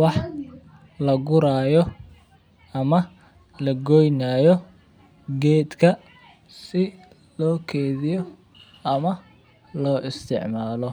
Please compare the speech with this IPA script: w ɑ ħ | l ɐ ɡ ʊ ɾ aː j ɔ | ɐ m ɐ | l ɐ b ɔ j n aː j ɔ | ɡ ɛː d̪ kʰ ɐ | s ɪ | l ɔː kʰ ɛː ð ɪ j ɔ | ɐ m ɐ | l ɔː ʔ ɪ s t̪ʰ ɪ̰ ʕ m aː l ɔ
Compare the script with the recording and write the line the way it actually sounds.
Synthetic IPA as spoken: w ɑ ħ | l ɐ ɡ ʊ ɾ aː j ɔ | ɐ m ɐ | l ɐ ɡ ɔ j n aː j ɔ | ɡ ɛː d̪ kʰ ɐ | s ɪ | l ɔː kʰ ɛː ð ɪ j ɔ | ɐ m ɐ | l ɔː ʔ ɪ s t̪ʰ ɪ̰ ʕ m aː l ɔ